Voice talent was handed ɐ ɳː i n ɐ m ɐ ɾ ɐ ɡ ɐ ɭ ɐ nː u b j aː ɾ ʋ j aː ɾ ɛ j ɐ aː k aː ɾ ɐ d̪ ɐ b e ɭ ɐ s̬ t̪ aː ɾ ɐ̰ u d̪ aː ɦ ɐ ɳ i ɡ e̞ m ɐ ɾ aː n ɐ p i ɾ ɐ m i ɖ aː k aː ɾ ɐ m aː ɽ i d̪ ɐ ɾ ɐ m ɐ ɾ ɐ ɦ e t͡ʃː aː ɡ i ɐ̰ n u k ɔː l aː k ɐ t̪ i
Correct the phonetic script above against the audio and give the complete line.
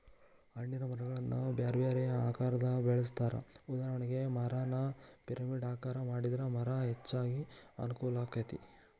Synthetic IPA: ɐ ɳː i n ɐ m ɐ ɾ ɐ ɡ ɐ ɭ ɐ nː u b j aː ɾ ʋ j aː ɾ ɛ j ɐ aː k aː ɾ ɐ d̪ ɐ b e ɭ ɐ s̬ t̪ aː ɾ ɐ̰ u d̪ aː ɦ ɐ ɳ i ɡ e̞ m ɐ ɾ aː n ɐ p i ɾ ɐ m i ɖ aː k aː ɾ ɐ m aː ɽ i d̪ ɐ ɾ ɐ m ɐ ɾ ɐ ɦ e t͡ʃː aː ɡ i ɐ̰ n u k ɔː l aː k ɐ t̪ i